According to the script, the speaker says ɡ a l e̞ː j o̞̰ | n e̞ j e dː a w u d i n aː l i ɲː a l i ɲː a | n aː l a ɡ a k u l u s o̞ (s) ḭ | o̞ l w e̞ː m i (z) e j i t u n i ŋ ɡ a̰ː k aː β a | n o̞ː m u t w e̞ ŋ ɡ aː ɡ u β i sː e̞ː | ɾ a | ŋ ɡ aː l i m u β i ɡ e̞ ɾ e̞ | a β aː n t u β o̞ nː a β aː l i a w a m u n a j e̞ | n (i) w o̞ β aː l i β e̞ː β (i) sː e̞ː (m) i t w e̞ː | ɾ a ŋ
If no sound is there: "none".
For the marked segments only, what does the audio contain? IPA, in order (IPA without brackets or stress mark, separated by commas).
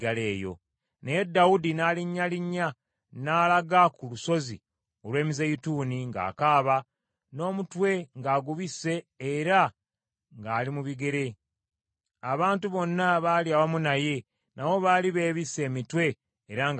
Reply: z, z, a, i, m